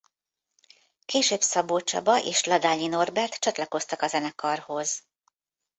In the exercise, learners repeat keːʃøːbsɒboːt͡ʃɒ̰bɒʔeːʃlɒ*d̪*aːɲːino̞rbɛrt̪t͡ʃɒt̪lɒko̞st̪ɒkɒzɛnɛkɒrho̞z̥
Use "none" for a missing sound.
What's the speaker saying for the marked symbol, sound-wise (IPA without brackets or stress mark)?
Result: d̪